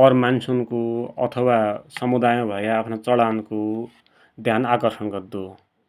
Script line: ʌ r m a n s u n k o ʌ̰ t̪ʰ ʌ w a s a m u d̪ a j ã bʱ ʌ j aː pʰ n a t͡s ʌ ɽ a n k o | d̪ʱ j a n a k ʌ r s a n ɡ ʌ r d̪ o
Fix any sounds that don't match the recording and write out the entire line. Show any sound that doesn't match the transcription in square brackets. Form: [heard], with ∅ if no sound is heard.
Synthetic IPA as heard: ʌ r m a n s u n k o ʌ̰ t̪ʰ ʌ w a s [ʌ] m u d̪ a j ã bʱ ʌ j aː pʰ n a t͡s ʌ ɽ a n k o | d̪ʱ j a n a k ʌ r s [ʌ] n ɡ ʌ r d̪ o